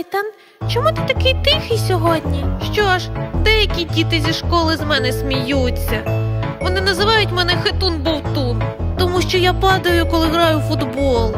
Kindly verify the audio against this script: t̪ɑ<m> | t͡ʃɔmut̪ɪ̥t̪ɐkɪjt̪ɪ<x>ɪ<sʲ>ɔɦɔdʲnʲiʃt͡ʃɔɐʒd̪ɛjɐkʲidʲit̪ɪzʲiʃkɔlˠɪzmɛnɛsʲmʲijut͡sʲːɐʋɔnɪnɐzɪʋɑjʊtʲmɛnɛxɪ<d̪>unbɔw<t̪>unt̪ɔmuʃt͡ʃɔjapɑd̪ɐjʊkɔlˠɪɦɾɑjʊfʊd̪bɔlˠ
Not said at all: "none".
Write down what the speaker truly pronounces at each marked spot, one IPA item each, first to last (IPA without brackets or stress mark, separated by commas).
n, x, sʲ, t̪, t̪